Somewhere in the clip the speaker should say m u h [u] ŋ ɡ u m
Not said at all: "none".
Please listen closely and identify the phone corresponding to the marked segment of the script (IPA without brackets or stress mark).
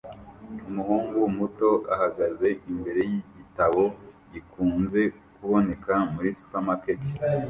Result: uː